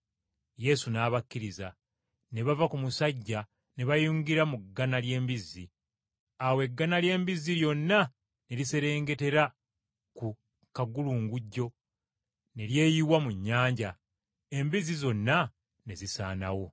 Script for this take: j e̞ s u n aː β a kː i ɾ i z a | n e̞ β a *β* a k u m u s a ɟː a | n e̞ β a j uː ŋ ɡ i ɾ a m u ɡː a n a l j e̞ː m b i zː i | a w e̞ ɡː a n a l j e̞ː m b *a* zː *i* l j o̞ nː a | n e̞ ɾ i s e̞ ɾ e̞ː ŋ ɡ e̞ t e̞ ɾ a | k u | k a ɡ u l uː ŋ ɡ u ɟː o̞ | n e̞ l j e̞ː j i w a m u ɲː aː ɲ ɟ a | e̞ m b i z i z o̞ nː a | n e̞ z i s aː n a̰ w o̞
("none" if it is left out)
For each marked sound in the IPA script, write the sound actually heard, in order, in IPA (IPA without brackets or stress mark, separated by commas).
v, i, i